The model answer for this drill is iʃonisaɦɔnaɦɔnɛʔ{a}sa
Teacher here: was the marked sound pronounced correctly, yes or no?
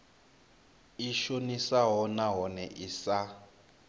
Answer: no